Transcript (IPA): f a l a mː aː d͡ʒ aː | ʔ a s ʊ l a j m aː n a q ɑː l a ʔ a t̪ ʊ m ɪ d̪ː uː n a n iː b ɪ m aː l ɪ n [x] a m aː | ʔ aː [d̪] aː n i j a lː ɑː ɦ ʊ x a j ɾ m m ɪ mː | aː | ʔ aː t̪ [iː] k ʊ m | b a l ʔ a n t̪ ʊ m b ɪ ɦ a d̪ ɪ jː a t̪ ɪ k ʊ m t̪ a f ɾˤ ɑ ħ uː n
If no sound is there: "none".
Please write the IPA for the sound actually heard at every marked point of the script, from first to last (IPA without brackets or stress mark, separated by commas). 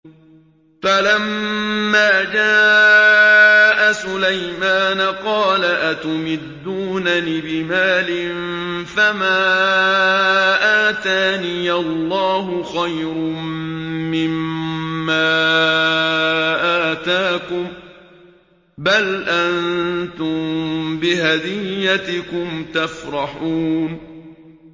f, t̪, aː